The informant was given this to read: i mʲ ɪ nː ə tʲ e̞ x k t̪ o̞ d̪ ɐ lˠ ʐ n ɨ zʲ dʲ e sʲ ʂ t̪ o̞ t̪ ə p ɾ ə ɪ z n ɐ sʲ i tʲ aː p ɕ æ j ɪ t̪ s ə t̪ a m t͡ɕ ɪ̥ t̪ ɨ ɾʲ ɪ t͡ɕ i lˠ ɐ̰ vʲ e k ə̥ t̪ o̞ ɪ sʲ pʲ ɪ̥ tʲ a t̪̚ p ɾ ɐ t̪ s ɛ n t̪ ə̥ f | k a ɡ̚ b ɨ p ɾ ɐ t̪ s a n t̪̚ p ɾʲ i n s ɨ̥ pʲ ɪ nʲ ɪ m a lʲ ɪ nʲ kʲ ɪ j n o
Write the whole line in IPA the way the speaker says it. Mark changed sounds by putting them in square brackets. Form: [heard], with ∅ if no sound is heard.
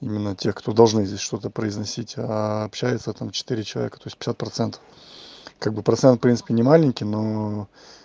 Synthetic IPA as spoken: i mʲ ɪ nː ə tʲ e̞ x k t̪ o̞ d̪ ɐ lˠ ʐ n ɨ zʲ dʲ e sʲ ʂ t̪ o̞ t̪ ə p ɾ ə ɪ z n ɐ sʲ i tʲ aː p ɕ æ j ɪ t̪ s ə t̪ a m t͡ɕ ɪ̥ t̪ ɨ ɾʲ ɪ t͡ɕ [ɪ] lˠ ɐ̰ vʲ e k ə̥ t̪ o̞ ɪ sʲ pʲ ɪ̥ [sʲ] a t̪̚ p ɾ ɐ t̪ s ɛ n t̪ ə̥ f | k a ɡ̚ b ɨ p ɾ ɐ t̪ s [ɛ] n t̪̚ p ɾʲ i n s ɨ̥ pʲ ɪ nʲ ɪ m a lʲ ɪ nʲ kʲ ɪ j n o